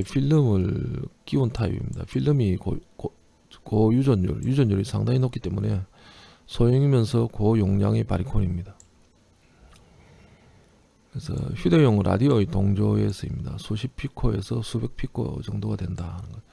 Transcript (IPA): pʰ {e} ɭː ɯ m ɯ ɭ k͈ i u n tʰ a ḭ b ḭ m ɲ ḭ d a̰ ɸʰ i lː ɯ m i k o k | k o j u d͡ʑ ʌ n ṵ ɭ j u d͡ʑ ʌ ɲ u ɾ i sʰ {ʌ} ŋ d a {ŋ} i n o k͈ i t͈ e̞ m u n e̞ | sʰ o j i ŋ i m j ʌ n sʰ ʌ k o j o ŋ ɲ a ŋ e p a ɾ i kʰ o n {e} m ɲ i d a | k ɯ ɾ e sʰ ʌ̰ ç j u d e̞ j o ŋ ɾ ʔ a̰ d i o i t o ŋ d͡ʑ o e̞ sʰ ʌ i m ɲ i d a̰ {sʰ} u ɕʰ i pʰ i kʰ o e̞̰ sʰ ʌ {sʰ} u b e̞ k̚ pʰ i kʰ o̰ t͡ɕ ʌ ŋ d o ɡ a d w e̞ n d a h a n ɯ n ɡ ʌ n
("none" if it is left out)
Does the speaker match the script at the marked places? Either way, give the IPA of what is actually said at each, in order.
i, a, ɲ, i, sʰ, sʰ

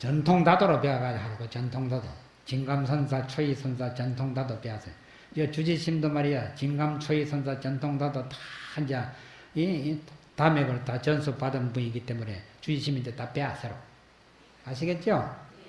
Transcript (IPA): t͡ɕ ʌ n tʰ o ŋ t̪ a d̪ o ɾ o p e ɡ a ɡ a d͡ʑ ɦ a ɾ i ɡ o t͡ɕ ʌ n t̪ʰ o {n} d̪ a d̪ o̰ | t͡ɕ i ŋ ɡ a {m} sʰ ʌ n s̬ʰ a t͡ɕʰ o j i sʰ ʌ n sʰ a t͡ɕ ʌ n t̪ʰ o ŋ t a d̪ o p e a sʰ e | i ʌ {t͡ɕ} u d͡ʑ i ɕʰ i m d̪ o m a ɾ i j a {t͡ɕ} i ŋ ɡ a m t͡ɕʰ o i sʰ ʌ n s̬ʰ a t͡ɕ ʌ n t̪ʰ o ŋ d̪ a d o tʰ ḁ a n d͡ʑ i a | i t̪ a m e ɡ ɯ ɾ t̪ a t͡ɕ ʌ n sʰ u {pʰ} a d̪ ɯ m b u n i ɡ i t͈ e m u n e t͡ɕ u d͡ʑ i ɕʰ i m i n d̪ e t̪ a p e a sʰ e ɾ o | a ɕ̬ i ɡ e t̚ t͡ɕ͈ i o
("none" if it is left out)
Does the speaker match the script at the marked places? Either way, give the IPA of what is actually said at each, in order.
ŋ, m, t͡ɕ, t͡ɕ, p

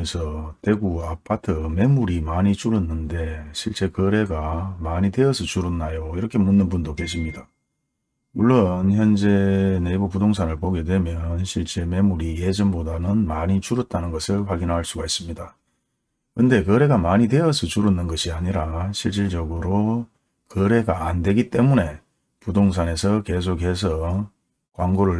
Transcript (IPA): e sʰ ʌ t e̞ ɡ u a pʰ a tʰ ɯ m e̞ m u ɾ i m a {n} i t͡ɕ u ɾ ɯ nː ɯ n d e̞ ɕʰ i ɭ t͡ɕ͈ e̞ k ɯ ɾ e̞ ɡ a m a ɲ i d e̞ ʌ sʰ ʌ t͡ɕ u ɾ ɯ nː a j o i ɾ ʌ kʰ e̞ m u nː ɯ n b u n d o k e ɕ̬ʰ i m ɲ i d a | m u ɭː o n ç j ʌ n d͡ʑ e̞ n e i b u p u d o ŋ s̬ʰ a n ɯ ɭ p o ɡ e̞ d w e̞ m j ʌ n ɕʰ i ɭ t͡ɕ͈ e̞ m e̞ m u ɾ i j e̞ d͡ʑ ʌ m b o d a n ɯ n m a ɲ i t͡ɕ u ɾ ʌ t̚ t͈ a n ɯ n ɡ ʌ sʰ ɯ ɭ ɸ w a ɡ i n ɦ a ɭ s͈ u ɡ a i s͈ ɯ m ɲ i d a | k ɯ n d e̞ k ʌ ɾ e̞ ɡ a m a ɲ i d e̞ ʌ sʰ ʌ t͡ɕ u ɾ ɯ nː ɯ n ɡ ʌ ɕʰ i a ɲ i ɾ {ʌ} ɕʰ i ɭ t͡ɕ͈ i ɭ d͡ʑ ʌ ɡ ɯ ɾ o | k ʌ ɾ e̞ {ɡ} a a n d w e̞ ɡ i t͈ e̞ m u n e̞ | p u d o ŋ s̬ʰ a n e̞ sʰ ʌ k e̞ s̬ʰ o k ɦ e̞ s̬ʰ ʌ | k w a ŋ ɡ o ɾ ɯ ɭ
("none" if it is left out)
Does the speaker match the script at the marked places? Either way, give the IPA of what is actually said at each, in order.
ɲ, a, ɡ

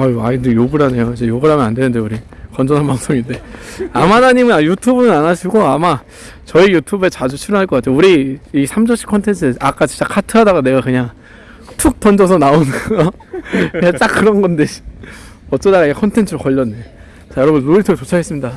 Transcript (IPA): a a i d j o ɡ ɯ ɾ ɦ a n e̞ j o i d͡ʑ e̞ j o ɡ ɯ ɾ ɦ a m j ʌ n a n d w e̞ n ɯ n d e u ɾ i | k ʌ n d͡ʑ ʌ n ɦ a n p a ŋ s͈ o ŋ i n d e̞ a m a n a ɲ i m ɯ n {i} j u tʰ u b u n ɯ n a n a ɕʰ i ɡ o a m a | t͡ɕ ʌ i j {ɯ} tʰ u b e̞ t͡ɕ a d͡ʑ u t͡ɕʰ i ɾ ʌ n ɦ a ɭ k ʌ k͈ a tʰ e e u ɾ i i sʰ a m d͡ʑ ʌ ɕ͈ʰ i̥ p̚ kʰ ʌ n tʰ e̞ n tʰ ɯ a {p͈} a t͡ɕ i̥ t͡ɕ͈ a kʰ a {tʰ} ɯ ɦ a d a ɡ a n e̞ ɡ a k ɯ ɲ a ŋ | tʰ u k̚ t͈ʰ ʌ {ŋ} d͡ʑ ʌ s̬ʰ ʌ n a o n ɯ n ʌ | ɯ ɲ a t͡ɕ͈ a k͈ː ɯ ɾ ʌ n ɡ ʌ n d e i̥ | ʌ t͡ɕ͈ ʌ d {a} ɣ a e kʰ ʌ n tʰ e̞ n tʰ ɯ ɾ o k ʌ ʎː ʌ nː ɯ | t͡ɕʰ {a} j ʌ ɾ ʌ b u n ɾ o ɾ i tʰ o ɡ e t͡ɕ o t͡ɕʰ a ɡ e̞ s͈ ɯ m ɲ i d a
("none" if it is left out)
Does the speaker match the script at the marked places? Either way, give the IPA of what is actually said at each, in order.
a, u, k͈, tʰ, n, a, a

